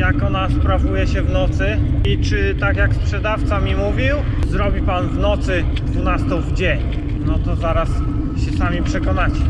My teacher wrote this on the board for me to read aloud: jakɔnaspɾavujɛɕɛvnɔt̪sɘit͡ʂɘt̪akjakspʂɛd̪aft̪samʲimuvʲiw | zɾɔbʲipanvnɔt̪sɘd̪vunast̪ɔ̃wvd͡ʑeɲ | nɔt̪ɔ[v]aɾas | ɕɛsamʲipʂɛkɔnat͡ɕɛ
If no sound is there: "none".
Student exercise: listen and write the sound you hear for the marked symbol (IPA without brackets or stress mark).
z